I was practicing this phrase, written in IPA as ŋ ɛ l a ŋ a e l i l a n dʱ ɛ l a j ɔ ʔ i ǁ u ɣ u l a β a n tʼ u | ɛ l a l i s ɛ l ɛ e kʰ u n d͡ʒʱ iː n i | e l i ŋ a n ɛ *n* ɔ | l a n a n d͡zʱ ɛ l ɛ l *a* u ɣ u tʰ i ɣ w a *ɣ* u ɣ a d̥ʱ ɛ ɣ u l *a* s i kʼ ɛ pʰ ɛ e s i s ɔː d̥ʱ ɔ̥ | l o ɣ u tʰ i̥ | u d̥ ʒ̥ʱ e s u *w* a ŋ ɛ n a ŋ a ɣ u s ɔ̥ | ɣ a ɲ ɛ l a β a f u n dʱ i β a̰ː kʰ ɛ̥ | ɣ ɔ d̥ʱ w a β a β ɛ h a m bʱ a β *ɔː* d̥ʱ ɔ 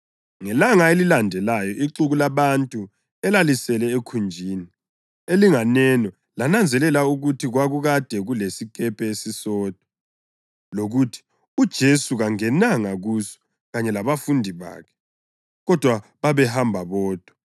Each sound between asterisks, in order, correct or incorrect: correct, correct, correct, incorrect: e, incorrect: ɣ, correct

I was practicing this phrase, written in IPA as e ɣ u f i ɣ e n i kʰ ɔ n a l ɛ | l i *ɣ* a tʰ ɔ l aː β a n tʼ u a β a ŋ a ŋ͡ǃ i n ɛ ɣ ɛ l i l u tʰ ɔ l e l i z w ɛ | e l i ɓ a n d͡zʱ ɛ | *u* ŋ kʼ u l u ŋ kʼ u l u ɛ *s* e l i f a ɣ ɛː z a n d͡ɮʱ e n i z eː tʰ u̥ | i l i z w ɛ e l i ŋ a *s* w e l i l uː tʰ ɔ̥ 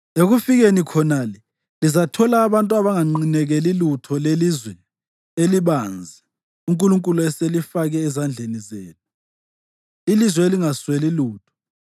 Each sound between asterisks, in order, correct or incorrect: incorrect: z, correct, correct, correct

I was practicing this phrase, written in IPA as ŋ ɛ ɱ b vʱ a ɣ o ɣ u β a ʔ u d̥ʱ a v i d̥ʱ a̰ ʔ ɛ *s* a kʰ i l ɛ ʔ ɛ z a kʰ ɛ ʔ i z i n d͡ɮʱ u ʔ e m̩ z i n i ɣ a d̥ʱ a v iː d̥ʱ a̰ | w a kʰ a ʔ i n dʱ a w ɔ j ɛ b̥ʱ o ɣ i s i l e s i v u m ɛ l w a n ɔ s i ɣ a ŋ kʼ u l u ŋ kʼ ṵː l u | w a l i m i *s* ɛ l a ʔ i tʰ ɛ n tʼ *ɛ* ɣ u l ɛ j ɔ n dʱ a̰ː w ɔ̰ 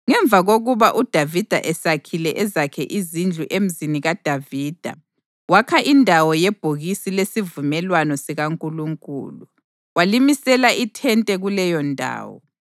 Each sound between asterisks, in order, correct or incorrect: correct, correct, correct

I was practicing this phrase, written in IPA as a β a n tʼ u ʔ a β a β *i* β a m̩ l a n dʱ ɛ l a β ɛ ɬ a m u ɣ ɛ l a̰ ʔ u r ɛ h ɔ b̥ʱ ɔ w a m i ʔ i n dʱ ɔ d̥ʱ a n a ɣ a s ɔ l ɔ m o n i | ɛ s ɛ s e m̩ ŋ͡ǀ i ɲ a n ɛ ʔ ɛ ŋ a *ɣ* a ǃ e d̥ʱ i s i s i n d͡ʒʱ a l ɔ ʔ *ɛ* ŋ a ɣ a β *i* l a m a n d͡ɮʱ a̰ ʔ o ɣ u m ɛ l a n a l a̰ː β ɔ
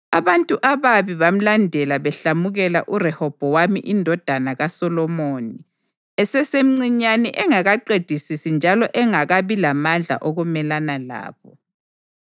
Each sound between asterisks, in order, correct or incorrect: correct, correct, correct, correct

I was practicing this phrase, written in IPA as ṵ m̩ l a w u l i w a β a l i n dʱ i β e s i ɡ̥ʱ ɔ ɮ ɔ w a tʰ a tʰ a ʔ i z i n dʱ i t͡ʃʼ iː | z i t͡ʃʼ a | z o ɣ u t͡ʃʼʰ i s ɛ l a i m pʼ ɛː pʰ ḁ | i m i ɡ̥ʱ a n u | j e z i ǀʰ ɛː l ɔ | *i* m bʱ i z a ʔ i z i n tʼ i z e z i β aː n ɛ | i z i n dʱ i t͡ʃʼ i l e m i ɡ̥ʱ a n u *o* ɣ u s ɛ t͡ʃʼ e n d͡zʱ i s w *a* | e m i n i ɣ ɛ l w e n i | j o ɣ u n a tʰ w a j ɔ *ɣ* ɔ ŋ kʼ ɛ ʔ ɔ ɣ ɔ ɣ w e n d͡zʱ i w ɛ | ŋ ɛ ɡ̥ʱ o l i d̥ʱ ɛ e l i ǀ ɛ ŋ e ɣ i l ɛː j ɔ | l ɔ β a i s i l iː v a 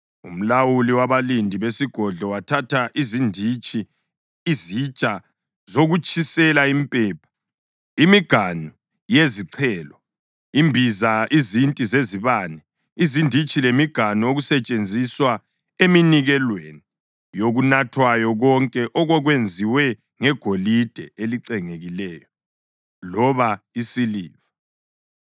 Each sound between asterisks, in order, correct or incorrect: correct, correct, correct, correct

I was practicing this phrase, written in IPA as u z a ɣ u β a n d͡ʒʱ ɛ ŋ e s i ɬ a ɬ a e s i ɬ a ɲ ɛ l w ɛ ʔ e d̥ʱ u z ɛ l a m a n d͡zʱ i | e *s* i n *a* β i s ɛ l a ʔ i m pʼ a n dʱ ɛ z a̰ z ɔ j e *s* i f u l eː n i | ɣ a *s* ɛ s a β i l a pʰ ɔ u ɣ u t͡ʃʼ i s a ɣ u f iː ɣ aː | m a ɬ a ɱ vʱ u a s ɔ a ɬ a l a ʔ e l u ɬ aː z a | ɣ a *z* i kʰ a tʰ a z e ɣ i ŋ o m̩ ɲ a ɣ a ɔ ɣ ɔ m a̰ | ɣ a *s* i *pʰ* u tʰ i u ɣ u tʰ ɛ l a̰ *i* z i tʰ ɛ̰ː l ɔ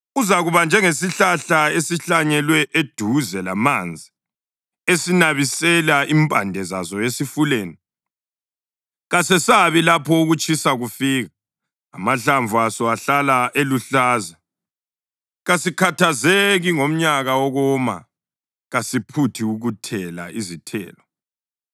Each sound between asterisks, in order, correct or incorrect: correct, correct, correct, correct, incorrect: s, correct, correct, correct

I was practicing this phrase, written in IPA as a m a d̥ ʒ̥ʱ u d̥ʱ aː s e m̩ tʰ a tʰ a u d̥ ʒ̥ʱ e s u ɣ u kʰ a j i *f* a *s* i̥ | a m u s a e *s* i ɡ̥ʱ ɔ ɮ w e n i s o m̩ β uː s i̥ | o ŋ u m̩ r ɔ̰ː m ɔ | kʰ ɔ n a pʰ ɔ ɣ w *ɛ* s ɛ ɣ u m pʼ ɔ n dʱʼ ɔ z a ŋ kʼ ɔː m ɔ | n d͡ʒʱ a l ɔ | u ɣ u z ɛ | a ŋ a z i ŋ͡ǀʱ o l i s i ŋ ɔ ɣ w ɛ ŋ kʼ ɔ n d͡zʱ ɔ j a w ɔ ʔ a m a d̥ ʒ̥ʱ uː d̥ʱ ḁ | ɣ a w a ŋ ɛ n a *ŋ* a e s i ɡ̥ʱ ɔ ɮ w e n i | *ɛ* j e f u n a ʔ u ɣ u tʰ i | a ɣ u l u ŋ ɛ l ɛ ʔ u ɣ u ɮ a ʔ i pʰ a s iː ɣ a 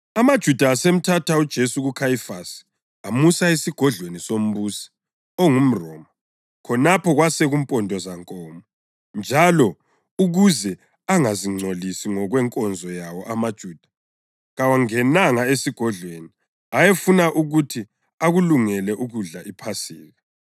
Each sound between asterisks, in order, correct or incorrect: correct, correct, correct, incorrect: a, correct, incorrect: a

